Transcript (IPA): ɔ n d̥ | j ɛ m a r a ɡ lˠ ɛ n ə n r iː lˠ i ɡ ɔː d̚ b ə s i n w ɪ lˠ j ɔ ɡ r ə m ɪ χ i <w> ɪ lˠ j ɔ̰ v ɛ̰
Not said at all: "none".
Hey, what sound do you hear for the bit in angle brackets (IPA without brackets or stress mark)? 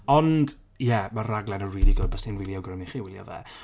w